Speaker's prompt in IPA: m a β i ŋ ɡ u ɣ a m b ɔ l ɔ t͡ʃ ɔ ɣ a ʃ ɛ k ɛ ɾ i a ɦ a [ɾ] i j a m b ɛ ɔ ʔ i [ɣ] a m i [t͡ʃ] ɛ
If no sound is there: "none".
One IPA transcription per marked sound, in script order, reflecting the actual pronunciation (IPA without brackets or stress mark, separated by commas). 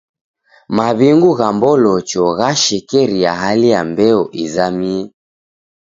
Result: l, z, none